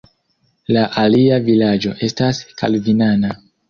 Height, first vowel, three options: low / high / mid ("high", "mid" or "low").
low